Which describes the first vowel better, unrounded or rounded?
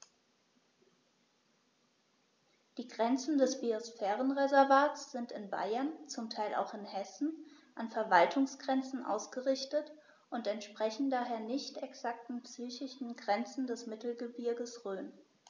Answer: unrounded